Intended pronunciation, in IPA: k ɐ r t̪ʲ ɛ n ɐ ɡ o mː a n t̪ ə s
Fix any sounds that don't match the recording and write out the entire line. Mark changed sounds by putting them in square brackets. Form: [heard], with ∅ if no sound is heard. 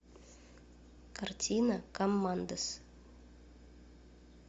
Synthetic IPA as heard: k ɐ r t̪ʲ [i] n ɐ [k] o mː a n [d̪] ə s